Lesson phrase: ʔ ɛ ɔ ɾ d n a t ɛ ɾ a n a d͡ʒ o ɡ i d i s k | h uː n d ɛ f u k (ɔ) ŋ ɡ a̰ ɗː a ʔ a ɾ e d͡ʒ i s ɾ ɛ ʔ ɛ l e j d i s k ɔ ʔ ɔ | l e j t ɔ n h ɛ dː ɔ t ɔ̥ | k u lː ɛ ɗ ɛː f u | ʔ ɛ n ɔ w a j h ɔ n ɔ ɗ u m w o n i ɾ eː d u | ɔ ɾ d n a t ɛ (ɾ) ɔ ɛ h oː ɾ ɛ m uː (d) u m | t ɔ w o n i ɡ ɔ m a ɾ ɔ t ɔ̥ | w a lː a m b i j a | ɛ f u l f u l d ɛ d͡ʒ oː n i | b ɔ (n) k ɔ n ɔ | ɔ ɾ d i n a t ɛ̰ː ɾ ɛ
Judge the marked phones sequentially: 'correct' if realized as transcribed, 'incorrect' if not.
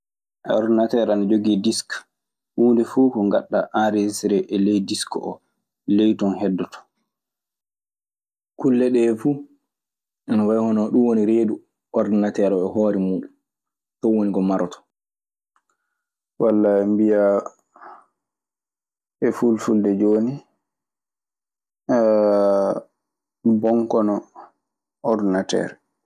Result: correct, correct, incorrect, incorrect

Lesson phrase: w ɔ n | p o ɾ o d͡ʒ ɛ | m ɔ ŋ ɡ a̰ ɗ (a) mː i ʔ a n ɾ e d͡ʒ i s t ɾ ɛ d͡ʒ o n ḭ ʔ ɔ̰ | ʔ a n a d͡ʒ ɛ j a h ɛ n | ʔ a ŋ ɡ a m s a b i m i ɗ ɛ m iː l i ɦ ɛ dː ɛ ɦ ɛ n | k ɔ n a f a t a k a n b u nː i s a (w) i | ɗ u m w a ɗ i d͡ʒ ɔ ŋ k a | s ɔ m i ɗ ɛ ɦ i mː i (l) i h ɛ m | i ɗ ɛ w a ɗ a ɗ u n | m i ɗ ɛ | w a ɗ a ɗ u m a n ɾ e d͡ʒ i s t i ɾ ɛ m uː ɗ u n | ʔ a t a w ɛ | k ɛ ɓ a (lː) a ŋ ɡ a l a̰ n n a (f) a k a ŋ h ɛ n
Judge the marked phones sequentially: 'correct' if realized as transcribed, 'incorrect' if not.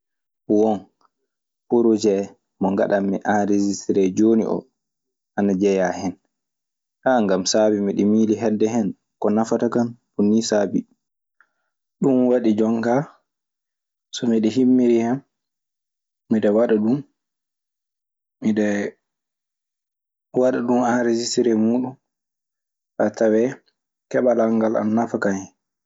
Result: correct, incorrect, incorrect, incorrect, correct

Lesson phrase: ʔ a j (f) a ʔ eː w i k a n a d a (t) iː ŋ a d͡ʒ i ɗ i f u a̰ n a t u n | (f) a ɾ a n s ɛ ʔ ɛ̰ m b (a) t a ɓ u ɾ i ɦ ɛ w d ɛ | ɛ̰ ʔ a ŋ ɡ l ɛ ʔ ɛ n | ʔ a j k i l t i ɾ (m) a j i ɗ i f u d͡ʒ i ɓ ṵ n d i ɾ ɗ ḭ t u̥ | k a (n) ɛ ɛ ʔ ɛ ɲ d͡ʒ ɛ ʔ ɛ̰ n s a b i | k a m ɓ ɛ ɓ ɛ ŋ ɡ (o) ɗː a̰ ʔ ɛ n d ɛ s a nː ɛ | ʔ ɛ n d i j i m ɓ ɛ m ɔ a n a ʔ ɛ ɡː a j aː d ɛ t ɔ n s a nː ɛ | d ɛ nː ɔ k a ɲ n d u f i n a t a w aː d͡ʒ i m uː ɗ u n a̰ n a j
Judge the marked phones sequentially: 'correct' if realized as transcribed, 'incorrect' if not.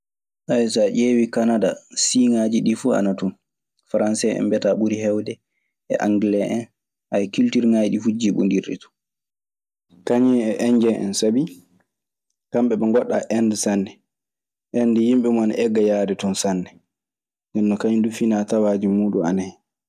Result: incorrect, incorrect, correct, incorrect, incorrect, incorrect, incorrect

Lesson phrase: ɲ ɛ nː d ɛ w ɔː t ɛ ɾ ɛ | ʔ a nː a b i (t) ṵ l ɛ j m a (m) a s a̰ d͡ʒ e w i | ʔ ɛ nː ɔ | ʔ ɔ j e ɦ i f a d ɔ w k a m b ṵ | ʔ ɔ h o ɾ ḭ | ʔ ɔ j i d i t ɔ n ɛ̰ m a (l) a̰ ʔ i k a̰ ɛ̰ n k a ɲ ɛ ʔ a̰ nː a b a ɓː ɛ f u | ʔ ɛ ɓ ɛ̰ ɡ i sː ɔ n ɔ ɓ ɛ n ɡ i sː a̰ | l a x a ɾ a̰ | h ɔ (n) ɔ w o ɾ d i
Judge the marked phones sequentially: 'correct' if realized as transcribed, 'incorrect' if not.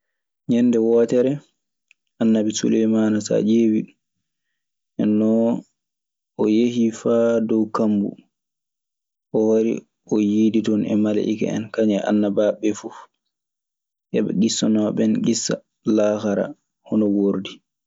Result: incorrect, incorrect, correct, correct

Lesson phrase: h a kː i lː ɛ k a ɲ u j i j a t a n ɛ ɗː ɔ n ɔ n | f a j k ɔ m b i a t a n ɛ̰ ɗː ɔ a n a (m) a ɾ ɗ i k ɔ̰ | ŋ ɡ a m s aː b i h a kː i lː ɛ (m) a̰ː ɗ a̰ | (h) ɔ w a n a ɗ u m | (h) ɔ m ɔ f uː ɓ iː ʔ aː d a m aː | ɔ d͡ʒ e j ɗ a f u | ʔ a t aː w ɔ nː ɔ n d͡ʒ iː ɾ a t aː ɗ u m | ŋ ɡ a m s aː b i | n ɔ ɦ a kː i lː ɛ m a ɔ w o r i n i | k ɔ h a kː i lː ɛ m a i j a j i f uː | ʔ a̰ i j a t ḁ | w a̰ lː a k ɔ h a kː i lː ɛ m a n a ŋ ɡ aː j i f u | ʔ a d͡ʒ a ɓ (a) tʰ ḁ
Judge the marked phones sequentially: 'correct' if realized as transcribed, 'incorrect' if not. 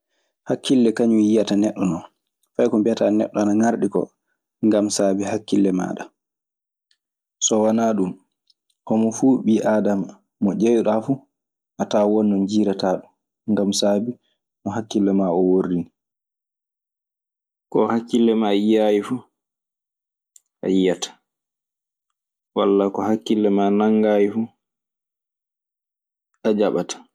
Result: incorrect, correct, incorrect, correct, correct

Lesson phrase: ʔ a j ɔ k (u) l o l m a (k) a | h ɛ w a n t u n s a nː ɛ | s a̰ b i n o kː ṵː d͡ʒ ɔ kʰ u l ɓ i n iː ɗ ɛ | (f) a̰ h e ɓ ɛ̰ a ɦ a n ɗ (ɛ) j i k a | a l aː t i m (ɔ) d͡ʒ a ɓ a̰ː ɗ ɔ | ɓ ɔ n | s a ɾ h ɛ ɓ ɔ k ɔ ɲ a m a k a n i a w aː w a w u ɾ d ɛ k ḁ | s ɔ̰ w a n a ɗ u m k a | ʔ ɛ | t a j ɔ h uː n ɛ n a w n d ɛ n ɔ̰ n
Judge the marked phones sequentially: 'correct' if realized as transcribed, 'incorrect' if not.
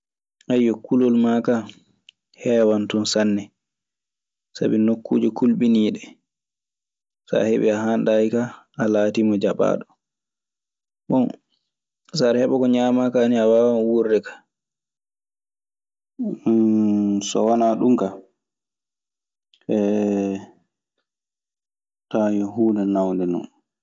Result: correct, correct, incorrect, incorrect, correct

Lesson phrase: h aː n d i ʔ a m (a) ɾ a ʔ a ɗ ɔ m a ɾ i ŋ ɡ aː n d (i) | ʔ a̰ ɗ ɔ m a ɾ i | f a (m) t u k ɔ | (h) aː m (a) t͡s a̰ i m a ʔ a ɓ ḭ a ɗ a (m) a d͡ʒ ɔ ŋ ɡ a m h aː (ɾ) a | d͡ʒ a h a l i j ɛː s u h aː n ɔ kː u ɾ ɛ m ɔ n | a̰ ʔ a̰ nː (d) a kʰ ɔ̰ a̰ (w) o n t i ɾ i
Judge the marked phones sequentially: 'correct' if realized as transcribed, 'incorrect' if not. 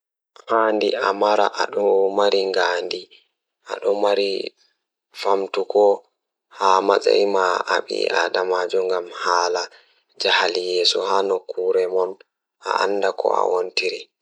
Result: correct, correct, correct, correct, correct, correct, incorrect, correct, correct

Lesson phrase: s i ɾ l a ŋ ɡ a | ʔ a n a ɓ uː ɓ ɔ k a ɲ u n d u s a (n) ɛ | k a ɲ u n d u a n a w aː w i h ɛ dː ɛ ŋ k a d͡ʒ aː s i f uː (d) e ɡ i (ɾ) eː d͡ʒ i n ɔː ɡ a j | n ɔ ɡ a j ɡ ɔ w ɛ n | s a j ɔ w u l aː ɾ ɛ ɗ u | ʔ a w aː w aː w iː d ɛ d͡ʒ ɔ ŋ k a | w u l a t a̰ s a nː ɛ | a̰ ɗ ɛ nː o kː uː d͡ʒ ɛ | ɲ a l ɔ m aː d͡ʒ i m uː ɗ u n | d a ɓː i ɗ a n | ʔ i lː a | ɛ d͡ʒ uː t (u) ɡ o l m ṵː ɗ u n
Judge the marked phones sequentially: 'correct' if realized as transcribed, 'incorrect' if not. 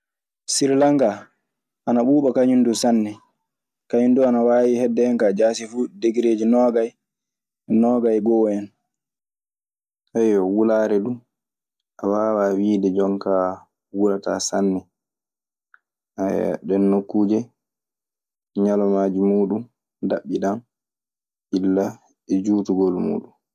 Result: incorrect, correct, correct, correct

